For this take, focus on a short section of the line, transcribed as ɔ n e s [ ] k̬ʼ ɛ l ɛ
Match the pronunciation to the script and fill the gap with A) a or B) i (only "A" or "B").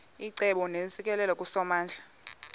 B